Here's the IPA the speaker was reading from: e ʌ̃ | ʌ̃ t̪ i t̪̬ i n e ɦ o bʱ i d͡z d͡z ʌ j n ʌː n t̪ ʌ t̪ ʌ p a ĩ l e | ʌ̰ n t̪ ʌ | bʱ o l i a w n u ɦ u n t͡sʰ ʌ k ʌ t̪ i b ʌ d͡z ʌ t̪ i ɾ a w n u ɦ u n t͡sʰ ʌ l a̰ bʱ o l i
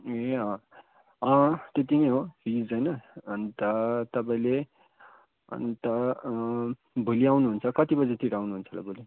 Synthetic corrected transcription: e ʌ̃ | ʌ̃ t̪ e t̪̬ i n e ɦ o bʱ i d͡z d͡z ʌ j n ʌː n t̪ ʌ t̪ ʌ p a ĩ l e | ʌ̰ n t̪ ʌ | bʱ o l i a w n u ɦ u n t͡sʰ ʌ k ʌ t̪ i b ʌ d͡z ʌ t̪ i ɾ a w n u ɦ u n t͡sʰ ʌ l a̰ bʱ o l i